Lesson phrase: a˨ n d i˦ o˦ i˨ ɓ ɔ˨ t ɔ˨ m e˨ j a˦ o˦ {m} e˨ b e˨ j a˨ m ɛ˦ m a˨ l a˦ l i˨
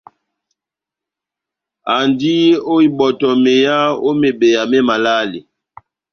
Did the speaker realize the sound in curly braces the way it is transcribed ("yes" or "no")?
yes